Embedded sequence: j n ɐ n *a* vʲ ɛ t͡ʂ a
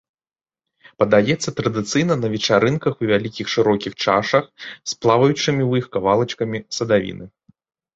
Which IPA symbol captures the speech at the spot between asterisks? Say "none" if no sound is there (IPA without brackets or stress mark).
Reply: ɐ